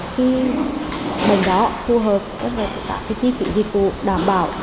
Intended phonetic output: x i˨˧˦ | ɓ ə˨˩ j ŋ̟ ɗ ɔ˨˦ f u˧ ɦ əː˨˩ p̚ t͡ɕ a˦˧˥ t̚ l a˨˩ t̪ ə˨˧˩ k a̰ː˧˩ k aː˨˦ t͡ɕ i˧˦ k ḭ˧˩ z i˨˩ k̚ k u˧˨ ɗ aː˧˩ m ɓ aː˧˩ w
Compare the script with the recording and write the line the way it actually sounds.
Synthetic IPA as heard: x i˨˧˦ | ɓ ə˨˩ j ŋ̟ ɗ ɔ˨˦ f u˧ ɦ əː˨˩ p̚ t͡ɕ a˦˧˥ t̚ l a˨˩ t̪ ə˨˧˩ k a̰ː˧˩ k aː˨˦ t͡ɕ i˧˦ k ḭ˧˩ z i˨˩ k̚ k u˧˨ ɗ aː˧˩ m ɓ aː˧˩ w